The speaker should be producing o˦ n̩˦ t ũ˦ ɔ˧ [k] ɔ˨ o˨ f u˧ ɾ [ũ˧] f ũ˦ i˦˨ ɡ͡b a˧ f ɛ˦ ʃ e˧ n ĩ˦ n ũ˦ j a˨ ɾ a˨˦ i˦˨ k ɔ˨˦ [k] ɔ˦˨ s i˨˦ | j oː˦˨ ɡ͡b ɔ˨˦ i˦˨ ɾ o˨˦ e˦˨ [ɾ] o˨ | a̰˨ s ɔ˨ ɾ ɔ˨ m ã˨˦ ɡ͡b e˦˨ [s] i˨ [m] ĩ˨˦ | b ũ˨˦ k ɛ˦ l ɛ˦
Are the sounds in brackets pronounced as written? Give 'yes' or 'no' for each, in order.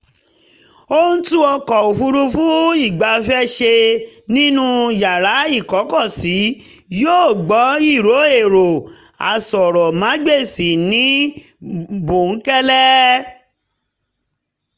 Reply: yes, no, yes, yes, yes, no

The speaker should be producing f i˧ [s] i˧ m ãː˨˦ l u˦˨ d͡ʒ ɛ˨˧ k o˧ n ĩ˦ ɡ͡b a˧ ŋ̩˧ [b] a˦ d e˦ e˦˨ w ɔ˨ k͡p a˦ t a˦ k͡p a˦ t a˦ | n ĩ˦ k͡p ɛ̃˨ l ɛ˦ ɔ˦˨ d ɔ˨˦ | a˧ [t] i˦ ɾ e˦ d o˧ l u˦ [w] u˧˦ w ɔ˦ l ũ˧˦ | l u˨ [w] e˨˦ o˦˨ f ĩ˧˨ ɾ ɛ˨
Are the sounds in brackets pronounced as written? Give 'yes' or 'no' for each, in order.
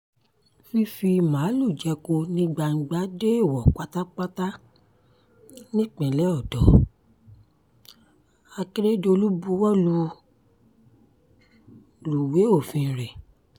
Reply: no, no, no, no, yes

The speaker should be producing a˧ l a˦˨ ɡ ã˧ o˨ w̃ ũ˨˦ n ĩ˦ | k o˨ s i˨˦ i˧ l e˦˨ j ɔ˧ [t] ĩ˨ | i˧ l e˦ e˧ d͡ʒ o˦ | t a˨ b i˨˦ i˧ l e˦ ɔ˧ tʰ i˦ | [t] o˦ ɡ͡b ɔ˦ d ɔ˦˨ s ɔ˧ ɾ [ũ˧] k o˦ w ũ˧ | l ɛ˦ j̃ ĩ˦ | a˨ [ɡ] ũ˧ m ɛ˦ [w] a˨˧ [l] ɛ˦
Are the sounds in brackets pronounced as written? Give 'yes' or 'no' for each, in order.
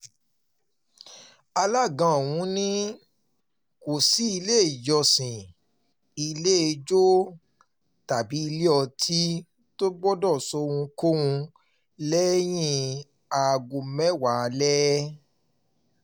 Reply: no, yes, yes, yes, yes, yes

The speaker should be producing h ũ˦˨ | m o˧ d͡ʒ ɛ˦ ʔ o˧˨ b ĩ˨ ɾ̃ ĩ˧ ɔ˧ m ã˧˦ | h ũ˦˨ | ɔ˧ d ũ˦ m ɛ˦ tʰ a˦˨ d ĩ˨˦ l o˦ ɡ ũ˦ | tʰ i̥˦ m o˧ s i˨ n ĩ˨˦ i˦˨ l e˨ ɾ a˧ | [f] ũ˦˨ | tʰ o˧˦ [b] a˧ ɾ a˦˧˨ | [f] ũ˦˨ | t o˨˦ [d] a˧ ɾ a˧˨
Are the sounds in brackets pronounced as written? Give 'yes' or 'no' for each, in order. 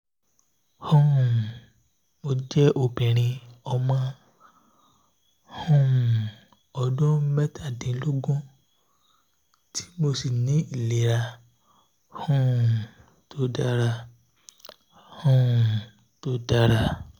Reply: no, no, no, yes

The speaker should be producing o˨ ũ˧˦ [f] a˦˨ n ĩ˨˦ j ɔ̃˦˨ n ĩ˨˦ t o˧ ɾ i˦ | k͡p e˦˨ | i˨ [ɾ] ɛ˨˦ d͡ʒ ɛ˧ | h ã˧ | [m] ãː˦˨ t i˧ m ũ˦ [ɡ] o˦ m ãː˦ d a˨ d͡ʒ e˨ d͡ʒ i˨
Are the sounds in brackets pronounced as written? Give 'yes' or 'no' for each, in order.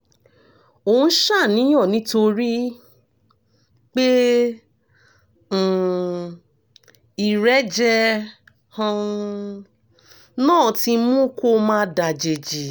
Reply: no, yes, no, no

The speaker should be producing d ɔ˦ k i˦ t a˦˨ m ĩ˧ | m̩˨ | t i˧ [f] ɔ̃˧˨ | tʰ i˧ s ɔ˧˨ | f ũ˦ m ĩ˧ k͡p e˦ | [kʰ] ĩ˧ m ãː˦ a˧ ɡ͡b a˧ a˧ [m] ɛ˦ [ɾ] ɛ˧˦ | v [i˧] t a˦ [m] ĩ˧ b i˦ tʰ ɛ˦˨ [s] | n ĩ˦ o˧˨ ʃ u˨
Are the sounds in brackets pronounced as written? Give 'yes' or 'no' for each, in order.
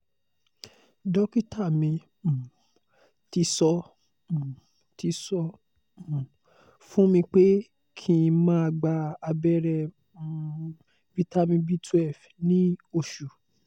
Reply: no, yes, no, yes, yes, yes, no

